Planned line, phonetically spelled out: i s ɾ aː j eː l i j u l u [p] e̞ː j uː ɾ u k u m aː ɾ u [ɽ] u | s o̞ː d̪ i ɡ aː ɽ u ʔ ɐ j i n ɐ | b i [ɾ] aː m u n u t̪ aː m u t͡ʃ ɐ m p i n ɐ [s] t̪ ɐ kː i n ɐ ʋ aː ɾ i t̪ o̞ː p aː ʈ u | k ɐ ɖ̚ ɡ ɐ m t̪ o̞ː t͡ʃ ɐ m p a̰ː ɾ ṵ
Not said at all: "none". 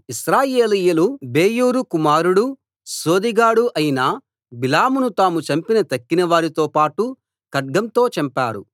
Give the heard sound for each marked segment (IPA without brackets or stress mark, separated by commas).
b, ɽ, l, none